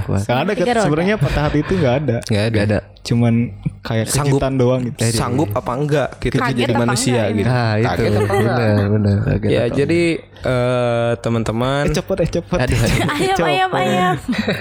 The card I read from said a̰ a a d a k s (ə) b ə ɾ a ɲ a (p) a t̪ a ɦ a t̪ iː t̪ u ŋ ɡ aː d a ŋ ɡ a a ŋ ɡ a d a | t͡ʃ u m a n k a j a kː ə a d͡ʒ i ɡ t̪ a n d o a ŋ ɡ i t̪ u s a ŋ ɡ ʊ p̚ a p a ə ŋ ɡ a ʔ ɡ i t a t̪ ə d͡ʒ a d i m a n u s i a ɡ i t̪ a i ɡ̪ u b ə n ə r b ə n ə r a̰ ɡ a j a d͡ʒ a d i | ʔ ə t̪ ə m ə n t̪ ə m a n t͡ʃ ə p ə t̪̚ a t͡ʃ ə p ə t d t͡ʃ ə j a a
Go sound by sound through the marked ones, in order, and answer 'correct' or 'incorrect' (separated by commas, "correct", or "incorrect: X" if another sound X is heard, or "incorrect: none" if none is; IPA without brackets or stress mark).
correct, correct